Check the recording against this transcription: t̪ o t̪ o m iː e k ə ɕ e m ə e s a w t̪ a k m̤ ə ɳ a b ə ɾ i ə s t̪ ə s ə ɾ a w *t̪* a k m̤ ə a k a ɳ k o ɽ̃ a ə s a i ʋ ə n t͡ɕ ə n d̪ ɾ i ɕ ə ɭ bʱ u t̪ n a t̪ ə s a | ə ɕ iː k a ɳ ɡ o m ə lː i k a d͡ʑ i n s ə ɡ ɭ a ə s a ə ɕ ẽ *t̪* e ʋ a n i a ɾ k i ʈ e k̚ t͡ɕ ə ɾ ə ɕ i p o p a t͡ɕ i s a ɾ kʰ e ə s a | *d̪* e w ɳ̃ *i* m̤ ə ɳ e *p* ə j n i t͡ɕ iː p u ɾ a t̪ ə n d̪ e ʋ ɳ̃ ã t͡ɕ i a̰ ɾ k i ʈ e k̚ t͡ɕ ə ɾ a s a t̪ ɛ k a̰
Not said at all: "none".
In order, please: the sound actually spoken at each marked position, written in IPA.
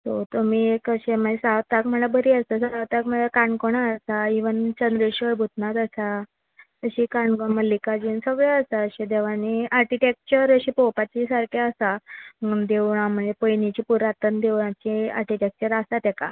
t̪, d̪, d̪, a, p

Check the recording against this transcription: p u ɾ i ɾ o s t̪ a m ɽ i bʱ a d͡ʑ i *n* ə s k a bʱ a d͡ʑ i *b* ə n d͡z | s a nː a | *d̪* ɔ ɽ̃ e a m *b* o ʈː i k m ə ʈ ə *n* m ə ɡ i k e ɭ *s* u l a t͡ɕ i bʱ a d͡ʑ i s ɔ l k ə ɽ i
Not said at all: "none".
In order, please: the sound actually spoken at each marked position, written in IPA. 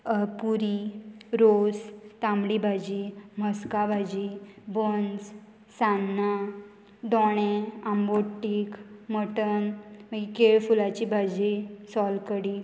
m, b, d̪, b, n, f

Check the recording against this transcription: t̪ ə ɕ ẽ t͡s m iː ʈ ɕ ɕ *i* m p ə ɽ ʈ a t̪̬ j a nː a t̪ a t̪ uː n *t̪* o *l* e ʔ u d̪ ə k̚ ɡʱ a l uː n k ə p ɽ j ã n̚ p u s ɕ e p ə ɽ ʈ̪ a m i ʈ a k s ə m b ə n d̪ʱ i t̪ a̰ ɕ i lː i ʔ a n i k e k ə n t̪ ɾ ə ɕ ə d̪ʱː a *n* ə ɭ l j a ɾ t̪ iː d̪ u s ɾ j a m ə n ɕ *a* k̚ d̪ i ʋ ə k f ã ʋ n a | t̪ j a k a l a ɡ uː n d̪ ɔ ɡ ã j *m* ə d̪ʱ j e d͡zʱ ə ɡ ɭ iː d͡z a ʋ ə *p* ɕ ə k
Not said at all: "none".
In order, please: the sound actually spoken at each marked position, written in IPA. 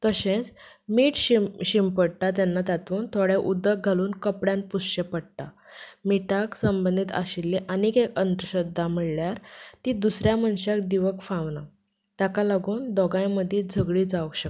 i, t̪ʰ, ɽ, m, a, m, k

